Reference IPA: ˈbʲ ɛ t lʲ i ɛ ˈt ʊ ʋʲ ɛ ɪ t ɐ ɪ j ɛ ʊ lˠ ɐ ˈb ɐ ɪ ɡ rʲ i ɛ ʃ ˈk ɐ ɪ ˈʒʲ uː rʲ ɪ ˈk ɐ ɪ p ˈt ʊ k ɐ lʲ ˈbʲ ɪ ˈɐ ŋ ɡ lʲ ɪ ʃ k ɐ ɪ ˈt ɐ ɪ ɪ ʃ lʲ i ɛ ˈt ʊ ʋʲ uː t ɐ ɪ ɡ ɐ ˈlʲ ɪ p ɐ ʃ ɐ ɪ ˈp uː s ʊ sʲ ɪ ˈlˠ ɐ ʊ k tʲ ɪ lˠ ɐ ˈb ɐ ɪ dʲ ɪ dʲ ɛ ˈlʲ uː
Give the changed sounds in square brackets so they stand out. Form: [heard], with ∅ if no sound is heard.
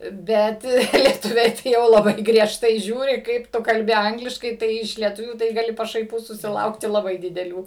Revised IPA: ˈbʲ ɛ t lʲ i ɛ ˈt ʊ ʋʲ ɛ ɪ t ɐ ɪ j ɛ ʊ lˠ ɐ ˈb ɐ ɪ ɡ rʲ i ɛ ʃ [ˈt] ɐ ɪ ˈʒʲ uː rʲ ɪ ˈk ɐ ɪ p ˈt ʊ k ɐ lʲ ˈbʲ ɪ ˈɐ ŋ ɡ lʲ ɪ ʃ k ɐ ɪ ˈt ɐ ɪ ɪ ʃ lʲ i ɛ ˈt ʊ ʋʲ uː t ɐ ɪ ɡ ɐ ˈlʲ ɪ p ɐ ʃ ɐ ɪ ˈp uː s ʊ sʲ ɪ ˈlˠ ɐ ʊ k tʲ ɪ lˠ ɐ ˈb ɐ ɪ dʲ ɪ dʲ ɛ ˈlʲ uː